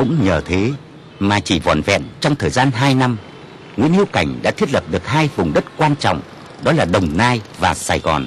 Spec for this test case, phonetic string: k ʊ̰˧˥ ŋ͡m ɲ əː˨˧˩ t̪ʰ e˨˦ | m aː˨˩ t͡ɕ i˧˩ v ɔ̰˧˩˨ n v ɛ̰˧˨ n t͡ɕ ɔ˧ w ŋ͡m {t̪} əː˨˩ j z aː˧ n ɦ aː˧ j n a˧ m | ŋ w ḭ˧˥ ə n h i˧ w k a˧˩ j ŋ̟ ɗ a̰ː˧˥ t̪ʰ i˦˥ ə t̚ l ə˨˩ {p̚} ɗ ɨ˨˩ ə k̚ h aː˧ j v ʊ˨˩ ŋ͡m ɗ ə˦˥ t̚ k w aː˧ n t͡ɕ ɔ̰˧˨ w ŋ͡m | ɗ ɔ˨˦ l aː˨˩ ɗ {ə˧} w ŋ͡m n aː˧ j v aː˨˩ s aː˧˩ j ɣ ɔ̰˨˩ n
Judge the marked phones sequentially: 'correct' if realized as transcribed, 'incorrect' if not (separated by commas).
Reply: incorrect, correct, incorrect